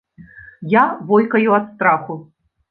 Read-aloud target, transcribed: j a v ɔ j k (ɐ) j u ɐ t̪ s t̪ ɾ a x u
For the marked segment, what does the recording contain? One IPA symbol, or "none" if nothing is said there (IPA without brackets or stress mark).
ɐ